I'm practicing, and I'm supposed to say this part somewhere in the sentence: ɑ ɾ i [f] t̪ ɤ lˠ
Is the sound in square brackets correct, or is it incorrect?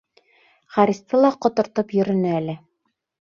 incorrect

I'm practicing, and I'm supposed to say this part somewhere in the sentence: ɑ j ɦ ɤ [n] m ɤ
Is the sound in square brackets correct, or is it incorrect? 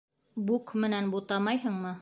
incorrect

